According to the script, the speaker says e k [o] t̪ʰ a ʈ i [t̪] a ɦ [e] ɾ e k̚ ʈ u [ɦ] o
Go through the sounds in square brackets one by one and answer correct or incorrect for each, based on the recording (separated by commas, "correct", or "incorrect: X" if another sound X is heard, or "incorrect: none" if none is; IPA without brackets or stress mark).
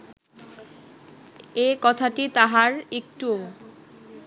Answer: incorrect: ɔ, correct, incorrect: a, incorrect: none